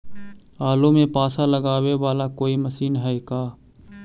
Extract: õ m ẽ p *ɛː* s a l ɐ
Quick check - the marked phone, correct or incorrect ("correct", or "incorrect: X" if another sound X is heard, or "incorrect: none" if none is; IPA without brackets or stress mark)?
incorrect: aː